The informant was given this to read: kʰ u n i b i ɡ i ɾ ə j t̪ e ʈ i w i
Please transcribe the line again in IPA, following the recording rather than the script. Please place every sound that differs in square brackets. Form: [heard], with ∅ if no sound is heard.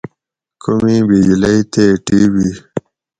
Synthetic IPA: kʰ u [m] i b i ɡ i [l] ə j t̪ e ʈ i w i